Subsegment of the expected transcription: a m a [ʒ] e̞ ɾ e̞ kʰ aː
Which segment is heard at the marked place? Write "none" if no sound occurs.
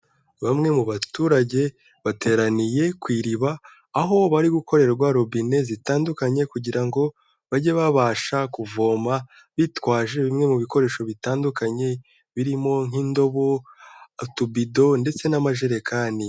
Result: ʒ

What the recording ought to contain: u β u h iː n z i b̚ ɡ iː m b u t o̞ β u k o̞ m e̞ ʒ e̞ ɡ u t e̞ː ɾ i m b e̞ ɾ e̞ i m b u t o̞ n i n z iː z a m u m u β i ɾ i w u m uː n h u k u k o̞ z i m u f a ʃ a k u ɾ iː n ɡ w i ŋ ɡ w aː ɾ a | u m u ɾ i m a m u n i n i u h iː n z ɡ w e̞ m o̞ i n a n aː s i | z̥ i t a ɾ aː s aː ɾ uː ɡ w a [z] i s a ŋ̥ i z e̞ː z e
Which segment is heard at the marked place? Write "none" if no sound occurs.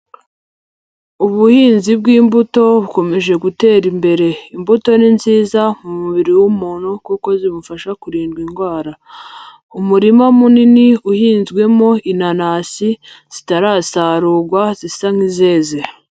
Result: z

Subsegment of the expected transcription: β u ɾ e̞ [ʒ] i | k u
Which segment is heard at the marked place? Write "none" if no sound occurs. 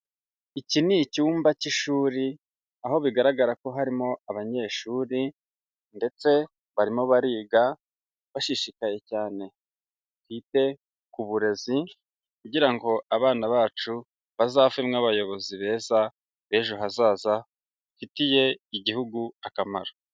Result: z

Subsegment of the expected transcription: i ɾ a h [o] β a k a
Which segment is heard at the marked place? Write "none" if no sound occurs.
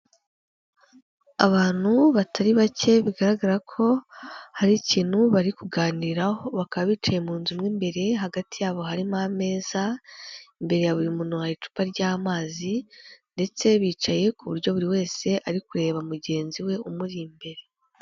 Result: o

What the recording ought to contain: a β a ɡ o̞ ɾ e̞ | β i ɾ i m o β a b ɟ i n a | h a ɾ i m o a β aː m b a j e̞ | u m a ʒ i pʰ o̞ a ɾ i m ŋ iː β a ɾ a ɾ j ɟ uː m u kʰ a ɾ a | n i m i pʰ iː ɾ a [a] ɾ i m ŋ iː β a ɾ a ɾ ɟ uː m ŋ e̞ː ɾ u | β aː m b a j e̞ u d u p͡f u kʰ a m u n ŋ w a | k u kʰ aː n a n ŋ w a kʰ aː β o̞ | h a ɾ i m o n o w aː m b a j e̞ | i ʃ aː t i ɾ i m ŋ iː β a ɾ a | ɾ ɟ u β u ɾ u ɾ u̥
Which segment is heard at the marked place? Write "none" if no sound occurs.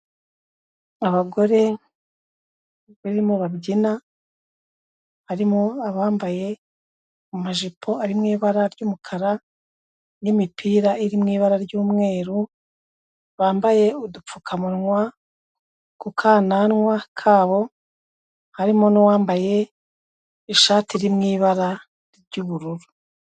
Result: i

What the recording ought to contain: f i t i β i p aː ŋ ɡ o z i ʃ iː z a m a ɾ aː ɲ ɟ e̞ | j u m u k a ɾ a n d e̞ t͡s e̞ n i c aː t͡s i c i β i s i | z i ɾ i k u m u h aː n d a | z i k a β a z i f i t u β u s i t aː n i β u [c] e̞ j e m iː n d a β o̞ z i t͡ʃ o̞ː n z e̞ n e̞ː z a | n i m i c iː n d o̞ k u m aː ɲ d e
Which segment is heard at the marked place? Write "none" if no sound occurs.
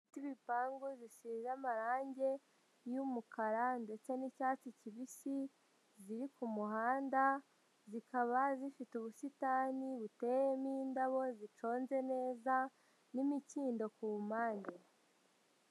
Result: t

